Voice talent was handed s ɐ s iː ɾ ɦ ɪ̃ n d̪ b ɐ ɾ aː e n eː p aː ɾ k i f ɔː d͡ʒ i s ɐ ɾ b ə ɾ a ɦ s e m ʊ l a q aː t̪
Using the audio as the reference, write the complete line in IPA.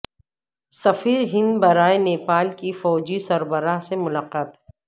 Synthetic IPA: s ɐ f iː ɾ ɦ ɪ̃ n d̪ b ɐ ɾ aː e n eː p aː l k i f ɔː d͡ʒ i s ɐ ɾ b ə ɾ a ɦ s e m ʊ l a q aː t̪